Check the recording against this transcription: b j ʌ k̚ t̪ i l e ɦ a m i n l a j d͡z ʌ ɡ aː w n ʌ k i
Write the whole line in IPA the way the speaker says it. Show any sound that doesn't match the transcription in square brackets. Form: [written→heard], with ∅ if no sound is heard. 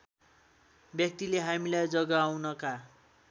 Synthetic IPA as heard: b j ʌ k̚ t̪ i l e ɦ a m i [n→∅] l a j d͡z ʌ ɡ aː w n ʌ k [i→a]